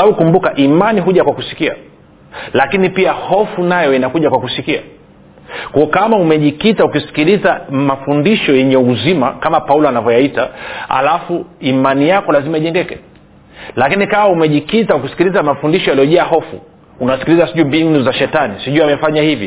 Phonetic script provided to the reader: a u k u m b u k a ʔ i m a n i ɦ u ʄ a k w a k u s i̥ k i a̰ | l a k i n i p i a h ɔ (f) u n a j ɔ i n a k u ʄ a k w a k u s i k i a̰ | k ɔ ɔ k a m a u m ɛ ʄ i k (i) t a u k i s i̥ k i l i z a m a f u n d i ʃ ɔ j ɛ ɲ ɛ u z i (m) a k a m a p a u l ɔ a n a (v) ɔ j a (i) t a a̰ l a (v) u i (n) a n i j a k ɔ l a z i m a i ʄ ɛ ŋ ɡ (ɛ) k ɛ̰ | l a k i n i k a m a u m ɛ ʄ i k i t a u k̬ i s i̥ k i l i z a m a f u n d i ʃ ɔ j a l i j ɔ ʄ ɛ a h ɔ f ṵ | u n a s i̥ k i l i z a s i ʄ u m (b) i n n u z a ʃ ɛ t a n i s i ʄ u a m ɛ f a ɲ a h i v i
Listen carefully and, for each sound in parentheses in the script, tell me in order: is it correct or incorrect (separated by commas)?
correct, correct, correct, correct, correct, incorrect, incorrect, correct, correct